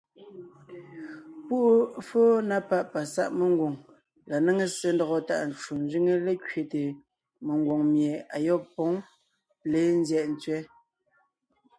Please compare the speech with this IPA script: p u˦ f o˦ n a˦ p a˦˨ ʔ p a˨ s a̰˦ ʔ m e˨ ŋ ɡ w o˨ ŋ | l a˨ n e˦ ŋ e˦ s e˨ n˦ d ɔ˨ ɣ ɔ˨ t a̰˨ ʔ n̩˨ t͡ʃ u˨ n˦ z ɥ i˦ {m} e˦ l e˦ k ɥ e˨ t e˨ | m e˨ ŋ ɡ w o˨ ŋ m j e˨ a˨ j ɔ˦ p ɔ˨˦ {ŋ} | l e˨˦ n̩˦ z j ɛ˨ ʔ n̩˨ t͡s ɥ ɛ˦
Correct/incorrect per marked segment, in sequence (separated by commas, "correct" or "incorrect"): incorrect, correct